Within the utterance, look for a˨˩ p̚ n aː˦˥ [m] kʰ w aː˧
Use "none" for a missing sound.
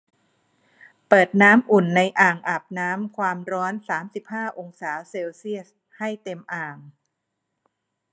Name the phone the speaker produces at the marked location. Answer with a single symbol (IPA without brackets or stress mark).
m